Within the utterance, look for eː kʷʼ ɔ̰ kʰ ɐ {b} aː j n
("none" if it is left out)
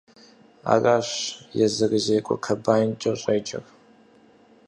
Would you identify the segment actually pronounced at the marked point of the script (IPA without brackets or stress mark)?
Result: b